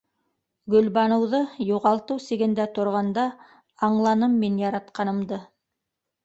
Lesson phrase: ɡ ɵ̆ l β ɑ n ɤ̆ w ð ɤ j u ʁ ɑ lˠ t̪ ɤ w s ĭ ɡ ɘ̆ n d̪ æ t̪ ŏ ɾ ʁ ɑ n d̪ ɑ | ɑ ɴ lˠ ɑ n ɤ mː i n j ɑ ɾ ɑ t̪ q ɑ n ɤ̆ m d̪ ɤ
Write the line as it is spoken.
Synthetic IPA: ɡ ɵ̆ l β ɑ n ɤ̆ w ð ɤ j u ʁ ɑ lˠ t̪ ɤ w s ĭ ɡ ɘ̆ n d̪ æ t̪ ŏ ɾ ʁ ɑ n d̪ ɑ | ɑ ɴ lˠ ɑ n ɤ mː i n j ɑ ɾ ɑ t̪ q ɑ n ɤ̆ m d̪ ɤ